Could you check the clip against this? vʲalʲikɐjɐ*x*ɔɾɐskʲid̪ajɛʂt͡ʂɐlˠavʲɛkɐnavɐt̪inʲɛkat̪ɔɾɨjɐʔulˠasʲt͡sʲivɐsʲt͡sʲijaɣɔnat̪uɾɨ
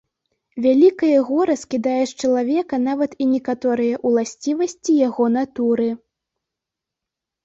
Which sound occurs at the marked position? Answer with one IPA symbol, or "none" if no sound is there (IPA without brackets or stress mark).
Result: ɣ